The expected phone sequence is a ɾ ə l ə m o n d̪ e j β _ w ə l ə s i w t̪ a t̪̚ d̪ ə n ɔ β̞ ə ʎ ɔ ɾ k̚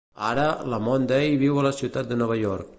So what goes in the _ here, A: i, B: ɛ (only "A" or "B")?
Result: A